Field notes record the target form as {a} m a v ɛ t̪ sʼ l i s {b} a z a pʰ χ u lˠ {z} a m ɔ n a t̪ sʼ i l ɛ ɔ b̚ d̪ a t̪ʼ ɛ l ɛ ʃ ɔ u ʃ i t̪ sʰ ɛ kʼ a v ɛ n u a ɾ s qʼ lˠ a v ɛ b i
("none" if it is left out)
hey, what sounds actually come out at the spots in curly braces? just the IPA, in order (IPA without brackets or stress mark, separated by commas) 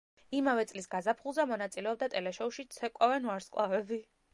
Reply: i, ɡ, z